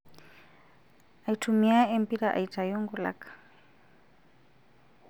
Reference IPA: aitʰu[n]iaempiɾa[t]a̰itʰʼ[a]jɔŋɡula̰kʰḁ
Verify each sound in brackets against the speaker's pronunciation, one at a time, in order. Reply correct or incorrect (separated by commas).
incorrect, incorrect, correct